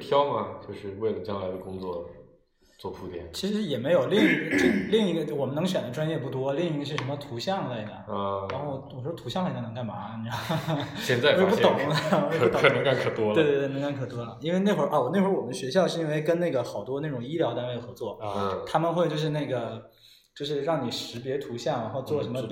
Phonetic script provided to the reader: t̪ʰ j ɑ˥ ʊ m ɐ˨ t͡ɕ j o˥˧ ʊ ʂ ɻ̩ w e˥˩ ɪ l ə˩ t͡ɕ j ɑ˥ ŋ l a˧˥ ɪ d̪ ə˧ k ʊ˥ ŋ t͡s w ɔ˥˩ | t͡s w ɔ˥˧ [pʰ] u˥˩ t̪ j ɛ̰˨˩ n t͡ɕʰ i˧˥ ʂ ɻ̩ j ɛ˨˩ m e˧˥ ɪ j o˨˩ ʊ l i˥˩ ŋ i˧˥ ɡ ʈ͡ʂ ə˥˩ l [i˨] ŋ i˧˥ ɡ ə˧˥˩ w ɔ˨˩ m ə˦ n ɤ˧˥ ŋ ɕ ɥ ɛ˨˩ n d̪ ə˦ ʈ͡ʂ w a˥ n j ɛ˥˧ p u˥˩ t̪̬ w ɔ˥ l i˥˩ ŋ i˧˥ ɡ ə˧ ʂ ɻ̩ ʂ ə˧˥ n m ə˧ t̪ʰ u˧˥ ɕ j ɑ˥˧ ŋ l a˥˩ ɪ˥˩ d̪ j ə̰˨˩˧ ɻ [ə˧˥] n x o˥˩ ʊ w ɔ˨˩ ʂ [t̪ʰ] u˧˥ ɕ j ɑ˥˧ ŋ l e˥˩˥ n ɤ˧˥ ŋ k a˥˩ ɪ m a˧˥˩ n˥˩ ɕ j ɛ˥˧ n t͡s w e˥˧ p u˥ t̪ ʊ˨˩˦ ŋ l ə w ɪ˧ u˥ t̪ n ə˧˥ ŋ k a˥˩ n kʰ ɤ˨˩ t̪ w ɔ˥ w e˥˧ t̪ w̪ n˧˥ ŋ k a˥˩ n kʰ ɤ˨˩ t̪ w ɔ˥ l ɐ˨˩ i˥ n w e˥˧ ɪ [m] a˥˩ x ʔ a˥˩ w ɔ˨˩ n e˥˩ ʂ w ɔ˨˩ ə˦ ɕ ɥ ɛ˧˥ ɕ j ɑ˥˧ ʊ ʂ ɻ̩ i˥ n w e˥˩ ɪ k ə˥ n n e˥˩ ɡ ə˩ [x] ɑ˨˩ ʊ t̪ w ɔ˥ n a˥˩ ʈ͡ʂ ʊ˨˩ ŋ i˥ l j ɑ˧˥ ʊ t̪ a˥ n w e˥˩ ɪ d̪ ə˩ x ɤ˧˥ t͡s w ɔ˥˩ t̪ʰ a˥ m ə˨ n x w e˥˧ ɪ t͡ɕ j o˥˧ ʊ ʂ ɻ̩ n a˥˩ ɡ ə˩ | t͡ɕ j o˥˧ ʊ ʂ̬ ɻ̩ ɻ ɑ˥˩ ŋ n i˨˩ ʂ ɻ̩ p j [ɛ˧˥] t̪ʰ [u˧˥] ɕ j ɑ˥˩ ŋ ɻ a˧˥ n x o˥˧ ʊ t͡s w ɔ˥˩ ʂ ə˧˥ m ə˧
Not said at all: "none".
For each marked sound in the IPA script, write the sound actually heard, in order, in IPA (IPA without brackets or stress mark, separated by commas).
pʰ, i˥˩, a˧˥, t̪ʰ, n, x, ɛ˧˥, u˧˥